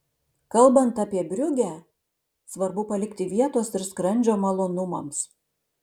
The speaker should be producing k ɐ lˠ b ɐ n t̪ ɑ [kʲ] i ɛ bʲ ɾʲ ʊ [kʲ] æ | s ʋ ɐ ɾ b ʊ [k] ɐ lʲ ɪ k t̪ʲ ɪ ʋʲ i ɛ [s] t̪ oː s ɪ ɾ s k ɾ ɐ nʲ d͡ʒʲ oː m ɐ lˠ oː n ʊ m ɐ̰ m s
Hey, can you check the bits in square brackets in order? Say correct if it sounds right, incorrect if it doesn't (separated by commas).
incorrect, incorrect, incorrect, incorrect